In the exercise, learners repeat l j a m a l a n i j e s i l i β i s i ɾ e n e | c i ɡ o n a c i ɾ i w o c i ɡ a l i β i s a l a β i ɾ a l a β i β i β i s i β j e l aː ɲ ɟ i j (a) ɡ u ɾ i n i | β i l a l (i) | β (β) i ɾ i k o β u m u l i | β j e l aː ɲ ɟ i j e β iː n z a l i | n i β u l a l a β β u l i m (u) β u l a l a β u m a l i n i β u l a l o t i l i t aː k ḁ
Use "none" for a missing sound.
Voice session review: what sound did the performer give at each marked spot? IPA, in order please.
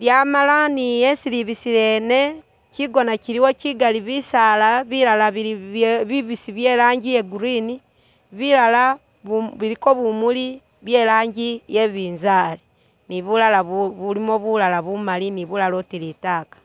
e, a, β, o

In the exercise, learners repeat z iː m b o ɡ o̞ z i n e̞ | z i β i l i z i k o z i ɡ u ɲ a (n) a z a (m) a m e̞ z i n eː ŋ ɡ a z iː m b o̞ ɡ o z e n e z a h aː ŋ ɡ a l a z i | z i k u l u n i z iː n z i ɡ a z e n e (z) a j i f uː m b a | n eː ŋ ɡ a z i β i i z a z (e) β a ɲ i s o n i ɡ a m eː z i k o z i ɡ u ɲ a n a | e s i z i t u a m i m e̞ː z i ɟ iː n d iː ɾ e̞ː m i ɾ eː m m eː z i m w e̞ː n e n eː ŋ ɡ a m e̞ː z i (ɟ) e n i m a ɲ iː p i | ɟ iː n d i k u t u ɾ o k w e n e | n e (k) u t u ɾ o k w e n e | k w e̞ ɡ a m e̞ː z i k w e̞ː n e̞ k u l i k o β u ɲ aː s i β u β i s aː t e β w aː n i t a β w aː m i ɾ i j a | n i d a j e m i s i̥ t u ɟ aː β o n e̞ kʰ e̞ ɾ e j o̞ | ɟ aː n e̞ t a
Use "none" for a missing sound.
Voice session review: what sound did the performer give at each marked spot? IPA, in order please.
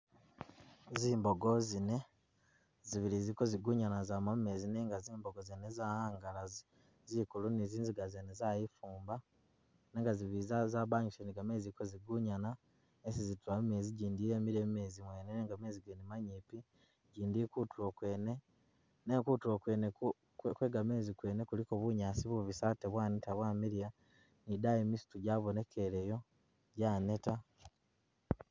n, m, z, a, ɡ, k

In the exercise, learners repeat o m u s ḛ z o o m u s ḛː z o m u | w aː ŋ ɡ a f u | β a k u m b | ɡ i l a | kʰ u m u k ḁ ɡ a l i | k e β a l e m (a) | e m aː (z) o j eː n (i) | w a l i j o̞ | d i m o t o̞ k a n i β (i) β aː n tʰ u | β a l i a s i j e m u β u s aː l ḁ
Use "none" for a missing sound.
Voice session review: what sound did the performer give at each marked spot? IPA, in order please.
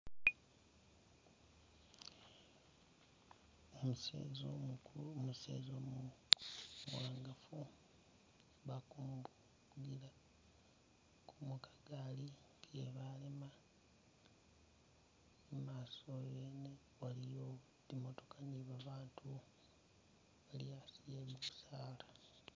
a, s, e, a

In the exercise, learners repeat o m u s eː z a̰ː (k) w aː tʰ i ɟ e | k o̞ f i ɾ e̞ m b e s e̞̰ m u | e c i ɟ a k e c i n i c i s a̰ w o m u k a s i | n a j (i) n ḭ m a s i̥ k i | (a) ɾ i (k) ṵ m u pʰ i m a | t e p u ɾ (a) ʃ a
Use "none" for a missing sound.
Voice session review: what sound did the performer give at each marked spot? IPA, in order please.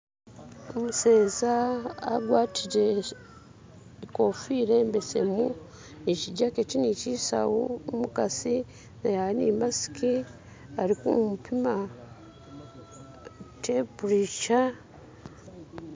ɡ, a, a, k, i

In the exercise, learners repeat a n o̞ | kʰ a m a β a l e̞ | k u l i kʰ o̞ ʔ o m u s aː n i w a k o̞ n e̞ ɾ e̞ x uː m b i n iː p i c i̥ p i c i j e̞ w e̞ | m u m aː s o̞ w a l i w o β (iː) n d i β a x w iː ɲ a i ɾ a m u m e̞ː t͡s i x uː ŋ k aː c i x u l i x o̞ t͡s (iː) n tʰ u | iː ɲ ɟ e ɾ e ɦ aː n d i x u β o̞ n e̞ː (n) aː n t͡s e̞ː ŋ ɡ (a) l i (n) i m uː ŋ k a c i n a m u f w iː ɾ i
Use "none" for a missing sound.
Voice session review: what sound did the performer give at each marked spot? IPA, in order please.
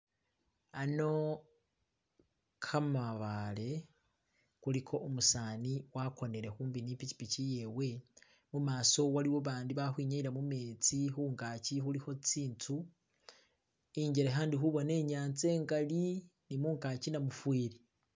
aː, iː, ɲ, a, n

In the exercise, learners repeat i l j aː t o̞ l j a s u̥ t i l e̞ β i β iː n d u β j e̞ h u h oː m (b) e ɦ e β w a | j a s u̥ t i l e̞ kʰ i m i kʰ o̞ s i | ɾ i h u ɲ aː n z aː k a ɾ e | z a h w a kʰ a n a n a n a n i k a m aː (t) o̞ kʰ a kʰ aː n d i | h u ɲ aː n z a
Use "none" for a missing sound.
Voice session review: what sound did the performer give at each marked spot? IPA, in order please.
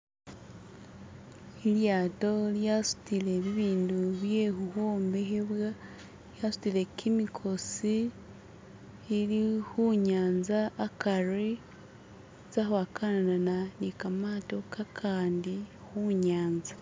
b, t

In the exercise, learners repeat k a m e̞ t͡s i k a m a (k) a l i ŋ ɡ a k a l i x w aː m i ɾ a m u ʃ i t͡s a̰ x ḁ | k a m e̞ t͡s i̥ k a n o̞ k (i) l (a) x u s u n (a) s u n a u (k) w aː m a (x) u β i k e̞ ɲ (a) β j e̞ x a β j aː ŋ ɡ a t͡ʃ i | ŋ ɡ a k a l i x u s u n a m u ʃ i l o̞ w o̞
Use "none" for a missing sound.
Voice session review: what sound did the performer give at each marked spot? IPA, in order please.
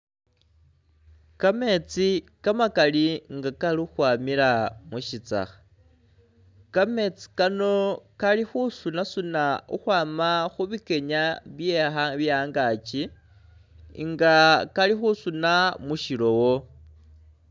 k, a, i, a, x, x, a

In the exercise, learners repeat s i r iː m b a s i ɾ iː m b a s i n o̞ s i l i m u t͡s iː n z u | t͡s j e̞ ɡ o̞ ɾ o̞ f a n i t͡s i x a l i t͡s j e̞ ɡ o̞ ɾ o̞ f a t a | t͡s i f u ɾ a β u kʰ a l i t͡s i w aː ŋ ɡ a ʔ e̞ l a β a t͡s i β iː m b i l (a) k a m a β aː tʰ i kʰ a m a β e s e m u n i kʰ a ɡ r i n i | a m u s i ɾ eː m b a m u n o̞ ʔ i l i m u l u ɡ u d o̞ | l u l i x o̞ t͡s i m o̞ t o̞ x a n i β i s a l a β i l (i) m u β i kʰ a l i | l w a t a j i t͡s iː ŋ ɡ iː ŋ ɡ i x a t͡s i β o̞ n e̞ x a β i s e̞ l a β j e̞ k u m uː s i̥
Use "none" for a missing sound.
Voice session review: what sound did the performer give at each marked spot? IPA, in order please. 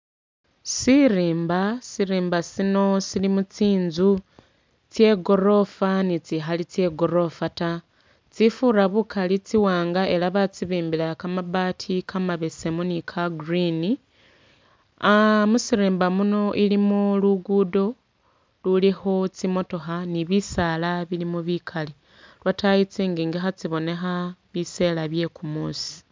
a, i

